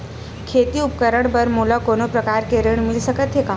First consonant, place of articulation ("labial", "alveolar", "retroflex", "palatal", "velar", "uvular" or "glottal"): velar